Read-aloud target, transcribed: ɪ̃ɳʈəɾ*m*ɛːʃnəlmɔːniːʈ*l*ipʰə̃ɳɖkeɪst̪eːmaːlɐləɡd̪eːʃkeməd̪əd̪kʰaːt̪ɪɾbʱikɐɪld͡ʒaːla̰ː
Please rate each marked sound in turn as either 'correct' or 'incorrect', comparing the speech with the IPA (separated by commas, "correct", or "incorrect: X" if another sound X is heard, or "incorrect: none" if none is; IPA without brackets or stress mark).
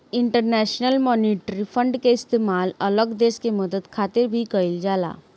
incorrect: n, incorrect: ɾ